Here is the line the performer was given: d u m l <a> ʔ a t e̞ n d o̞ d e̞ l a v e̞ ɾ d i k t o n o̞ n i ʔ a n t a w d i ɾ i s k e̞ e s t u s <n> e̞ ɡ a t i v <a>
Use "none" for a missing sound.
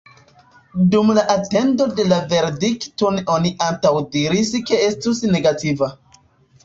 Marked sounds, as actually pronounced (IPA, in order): a, n, a

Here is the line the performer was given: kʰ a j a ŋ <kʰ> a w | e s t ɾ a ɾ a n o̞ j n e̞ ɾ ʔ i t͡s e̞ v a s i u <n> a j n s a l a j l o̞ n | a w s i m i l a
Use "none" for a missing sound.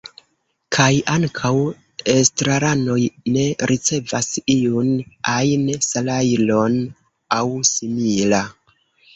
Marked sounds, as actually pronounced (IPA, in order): kʰ, n

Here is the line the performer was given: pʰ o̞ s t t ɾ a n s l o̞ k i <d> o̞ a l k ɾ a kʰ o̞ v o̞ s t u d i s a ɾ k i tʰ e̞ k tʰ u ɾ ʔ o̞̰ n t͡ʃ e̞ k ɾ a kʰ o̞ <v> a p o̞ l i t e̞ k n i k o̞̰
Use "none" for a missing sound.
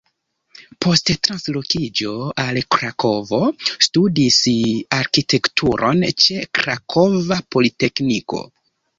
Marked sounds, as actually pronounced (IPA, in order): d͡ʒ, v

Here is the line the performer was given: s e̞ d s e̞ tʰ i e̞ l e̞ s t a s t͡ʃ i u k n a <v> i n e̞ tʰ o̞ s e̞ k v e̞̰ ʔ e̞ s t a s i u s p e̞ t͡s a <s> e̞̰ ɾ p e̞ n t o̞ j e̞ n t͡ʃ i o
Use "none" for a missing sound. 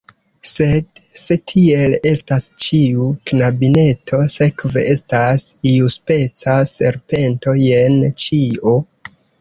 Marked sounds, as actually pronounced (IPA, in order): b, s

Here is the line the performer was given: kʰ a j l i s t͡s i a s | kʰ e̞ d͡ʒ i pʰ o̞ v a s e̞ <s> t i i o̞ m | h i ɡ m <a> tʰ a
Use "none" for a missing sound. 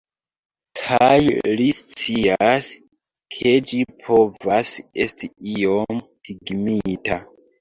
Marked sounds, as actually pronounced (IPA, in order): s, i

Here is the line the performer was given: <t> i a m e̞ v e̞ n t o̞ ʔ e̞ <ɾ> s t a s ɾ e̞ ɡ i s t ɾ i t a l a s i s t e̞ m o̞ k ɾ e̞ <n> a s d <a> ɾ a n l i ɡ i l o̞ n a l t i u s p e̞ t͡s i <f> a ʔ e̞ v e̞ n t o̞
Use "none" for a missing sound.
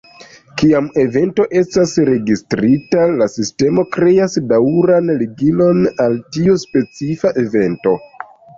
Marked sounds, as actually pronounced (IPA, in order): k, none, none, a, f

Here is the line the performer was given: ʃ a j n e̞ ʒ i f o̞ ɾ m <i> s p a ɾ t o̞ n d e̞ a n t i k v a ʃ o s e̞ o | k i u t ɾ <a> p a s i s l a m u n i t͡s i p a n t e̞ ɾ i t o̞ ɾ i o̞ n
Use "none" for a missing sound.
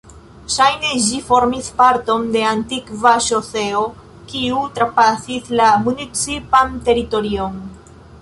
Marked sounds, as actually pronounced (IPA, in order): i, a

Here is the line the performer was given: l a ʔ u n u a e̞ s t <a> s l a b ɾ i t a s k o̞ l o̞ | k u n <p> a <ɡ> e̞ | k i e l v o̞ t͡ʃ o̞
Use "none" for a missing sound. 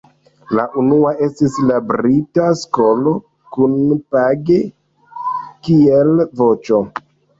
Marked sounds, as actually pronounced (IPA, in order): i, p, ɡ

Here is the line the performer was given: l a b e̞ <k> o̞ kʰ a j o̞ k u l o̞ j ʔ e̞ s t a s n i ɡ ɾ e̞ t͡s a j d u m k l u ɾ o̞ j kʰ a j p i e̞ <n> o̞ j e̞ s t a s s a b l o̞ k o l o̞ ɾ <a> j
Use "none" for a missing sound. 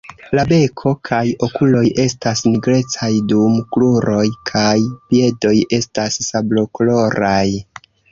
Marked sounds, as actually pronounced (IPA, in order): kʰ, d, a

